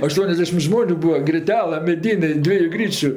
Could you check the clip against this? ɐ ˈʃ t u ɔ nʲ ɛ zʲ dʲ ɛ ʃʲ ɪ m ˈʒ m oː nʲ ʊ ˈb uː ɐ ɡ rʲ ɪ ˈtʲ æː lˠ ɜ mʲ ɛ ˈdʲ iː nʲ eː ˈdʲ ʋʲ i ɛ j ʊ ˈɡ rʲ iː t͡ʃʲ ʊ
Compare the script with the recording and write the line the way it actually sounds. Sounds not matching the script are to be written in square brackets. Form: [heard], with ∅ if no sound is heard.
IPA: ɐ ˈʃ t u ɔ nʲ ɛ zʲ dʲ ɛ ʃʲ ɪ m ˈʒ m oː nʲ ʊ ˈb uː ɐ ɡ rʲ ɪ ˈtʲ æː lˠ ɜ mʲ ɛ ˈdʲ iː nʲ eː ˈdʲ ʋʲ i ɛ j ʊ ˈɡ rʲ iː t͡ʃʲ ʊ